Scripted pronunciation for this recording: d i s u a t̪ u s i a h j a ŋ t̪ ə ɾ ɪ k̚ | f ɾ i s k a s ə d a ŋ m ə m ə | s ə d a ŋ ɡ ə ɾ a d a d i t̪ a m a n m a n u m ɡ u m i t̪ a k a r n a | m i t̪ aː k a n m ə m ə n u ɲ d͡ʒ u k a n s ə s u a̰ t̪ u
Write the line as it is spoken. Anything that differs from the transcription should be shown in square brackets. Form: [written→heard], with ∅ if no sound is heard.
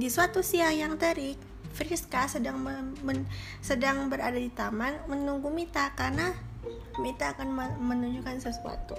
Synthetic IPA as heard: d i s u a t̪ u s i a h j a ŋ t̪ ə ɾ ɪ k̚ | f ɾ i s k a s ə d a ŋ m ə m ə | s ə d a ŋ [ɡ→b] ə ɾ a d a d i t̪ a m a n m [a→ə] n u [m→ŋ] ɡ u m i t̪ a k a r n a | m i t̪ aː k a n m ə m ə n u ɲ d͡ʒ u k a n s ə s u a̰ t̪ u